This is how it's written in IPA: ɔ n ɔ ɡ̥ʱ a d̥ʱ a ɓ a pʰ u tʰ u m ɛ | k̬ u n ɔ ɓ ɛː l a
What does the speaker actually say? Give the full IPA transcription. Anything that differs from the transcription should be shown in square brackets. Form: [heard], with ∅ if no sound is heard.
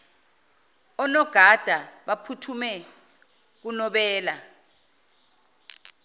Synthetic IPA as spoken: ɔ n ɔ ɡ̥ʱ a d̥ʱ a ɓ a pʰ u tʰ u m ɛ | k̬ u n ɔ ɓ ɛː l a